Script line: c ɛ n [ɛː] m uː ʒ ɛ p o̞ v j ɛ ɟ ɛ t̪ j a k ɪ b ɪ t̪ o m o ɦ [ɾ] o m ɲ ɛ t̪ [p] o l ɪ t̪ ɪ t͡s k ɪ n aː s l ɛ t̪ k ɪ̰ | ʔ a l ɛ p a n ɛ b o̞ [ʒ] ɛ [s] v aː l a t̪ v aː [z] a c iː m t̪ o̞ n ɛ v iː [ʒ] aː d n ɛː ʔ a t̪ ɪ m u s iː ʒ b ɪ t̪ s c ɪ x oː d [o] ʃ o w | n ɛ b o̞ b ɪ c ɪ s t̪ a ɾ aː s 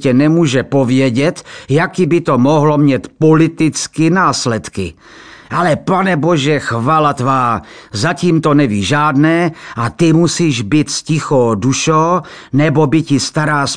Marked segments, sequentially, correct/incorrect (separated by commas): incorrect, incorrect, correct, correct, incorrect, correct, correct, incorrect